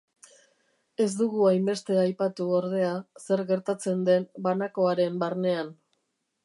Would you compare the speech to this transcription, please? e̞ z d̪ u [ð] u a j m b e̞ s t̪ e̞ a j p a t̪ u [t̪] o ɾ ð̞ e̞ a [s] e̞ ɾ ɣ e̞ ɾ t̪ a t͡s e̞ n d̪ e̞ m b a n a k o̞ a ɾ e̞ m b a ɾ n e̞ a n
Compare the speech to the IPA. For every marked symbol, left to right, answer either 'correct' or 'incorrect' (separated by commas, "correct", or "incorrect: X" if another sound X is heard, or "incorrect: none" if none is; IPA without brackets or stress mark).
incorrect: ɣ, incorrect: none, correct